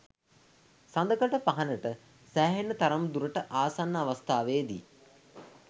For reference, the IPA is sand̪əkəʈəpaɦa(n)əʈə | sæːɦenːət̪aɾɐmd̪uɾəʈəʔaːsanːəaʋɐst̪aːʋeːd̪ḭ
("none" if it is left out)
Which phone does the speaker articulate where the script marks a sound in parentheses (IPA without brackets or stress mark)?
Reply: n